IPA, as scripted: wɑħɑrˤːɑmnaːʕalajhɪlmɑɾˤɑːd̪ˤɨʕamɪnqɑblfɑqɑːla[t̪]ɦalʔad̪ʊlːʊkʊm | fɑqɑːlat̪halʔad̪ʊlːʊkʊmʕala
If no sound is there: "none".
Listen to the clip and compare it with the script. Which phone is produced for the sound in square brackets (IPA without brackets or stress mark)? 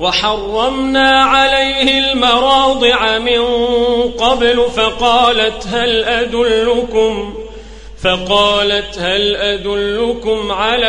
t̪